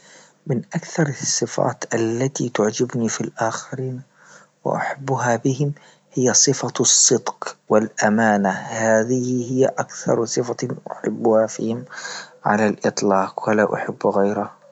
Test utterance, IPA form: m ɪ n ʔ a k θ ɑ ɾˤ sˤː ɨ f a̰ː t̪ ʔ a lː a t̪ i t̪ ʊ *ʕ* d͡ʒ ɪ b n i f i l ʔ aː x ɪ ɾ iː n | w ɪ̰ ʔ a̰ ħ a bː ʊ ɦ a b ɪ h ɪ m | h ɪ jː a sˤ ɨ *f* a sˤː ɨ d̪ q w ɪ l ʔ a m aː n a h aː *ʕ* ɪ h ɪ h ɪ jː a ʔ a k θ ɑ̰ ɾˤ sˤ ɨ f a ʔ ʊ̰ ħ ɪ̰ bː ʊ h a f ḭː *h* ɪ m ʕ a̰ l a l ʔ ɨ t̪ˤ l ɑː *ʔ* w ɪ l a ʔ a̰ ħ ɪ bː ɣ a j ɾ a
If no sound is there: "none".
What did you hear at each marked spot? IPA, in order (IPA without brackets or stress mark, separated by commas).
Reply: ʕ, f, ð, h, q